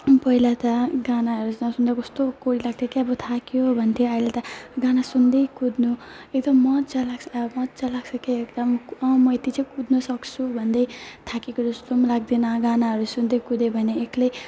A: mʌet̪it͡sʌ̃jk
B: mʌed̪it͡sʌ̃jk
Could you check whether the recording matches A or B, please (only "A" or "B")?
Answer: A